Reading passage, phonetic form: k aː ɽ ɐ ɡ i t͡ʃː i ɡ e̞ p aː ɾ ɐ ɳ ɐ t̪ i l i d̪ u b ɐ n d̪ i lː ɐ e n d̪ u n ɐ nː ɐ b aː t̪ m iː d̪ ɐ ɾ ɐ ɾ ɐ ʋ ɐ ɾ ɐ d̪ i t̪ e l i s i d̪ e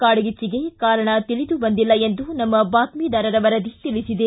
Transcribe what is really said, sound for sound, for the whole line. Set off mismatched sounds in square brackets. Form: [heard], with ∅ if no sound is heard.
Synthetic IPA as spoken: k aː ɽ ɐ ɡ i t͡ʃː i ɡ e̞ [k] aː ɾ ɐ ɳ ɐ t̪ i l i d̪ u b ɐ n d̪ i lː ɐ e n d̪ u n ɐ [mː] ɐ b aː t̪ m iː d̪ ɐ ɾ ɐ ɾ ɐ ʋ ɐ ɾ ɐ d̪ i t̪ [i] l i s i d̪ e